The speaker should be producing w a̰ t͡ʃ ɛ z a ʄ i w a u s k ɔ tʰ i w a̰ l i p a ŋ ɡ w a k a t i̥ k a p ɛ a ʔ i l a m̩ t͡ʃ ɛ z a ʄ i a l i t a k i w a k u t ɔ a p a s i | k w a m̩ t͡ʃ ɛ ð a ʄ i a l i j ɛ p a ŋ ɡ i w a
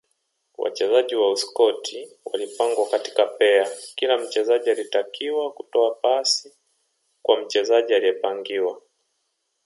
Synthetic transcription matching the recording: w a̰ t͡ʃ ɛ z a ʄ i w a u s k ɔ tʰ i w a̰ l i p a ŋ ɡ w a k a t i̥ k a p ɛ a k i l a m̩ t͡ʃ ɛ z a ʄ i a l i t a k i w a k u t ɔ a p a s i | k w a m̩ t͡ʃ ɛ z a ʄ i a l i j ɛ p a ŋ ɡ i w a

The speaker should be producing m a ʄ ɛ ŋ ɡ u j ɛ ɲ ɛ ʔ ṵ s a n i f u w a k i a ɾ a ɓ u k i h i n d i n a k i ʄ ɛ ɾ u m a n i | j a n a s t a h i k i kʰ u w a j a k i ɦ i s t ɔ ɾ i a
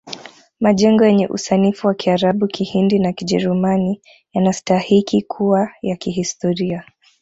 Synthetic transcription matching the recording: m a ʄ ɛ ŋ ɡ ɔ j ɛ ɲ ɛ ʔ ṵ s a n i f u w a k i a ɾ a ɓ u k i h i n d i n a k i ʄ ɛ ɾ u m a n i | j a n a s t a h i k i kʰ u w a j a k i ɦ i s t ɔ ɾ i a

